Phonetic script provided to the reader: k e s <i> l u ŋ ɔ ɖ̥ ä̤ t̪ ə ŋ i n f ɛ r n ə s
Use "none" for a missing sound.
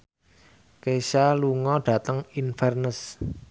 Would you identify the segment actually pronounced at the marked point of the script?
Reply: a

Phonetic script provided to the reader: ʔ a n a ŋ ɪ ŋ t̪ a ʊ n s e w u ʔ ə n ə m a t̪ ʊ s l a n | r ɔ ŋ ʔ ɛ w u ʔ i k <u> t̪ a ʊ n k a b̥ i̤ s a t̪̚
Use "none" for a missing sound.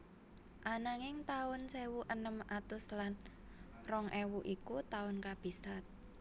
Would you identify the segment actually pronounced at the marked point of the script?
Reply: u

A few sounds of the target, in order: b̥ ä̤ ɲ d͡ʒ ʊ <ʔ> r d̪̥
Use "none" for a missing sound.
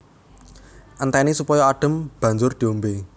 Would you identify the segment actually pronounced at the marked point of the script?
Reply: none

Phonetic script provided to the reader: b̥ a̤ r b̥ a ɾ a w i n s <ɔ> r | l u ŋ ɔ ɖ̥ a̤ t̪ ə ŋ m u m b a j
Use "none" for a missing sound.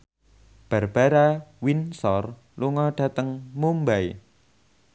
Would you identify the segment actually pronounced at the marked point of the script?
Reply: ɔ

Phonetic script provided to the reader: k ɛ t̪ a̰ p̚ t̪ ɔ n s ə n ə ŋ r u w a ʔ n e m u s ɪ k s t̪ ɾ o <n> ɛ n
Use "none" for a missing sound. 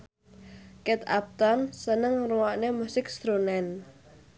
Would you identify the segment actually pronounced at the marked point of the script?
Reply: n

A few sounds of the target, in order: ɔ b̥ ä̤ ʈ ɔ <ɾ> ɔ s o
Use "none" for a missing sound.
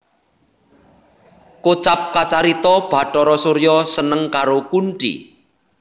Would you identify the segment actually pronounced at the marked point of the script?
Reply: ɾ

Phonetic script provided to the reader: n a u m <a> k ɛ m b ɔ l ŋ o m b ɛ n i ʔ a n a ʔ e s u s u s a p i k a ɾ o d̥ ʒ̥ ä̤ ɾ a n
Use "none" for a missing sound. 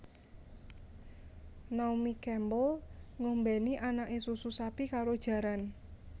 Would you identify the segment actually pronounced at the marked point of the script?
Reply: i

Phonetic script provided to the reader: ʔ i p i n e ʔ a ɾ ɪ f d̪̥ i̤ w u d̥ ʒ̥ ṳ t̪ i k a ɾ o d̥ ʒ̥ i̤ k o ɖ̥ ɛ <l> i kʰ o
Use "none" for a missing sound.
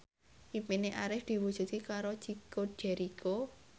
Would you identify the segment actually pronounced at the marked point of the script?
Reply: ɾ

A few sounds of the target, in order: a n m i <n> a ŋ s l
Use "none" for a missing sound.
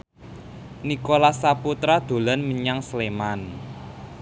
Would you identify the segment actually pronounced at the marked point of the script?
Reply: ɲ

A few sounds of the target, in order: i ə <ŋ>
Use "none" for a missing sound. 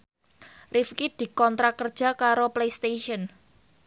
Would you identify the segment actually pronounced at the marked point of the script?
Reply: n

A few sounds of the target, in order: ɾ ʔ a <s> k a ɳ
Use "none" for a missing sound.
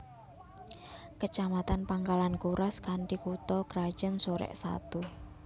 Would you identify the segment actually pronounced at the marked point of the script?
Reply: s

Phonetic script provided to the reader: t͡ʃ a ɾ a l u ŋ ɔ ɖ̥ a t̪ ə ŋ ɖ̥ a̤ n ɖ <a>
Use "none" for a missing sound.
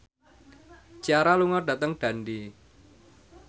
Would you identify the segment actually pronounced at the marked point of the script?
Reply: i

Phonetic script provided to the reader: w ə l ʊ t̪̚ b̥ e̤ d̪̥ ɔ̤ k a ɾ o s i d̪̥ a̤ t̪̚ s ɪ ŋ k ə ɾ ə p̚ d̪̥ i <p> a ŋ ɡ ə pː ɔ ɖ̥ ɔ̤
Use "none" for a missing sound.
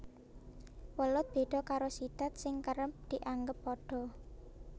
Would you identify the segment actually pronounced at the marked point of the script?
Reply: ʔ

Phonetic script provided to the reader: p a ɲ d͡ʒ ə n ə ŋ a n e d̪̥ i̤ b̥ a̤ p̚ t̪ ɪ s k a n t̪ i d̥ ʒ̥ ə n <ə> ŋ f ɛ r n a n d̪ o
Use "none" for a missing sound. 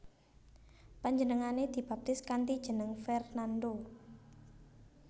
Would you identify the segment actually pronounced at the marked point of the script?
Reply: ə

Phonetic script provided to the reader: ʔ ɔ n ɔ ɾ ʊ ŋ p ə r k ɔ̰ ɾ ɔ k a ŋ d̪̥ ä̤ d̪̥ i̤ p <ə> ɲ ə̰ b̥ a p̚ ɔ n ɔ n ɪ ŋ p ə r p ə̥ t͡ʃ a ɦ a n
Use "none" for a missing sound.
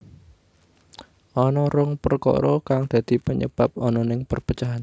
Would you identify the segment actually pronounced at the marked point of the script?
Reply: ə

